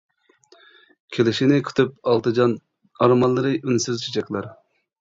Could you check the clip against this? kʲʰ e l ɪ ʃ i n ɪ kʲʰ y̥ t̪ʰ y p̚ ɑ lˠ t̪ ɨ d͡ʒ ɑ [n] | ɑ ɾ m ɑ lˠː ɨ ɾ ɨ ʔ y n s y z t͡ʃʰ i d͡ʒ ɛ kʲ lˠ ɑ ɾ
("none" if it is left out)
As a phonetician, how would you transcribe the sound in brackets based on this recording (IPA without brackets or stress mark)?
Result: n